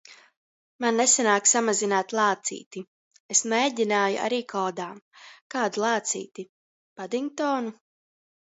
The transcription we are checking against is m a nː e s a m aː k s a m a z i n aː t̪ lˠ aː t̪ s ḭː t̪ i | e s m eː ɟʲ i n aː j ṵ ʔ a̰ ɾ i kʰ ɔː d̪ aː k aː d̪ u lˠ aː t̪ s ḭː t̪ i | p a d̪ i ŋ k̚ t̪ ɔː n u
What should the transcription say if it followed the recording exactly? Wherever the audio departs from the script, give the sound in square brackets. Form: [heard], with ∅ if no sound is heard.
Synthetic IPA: m a nː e s a [n] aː k s a m a z i n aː t̪ lˠ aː t̪ s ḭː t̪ i | e s m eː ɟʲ i n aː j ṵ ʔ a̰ ɾ [iː] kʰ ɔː d̪ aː k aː d̪ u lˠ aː t̪ s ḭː t̪ i | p a d̪ i ŋ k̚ t̪ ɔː n u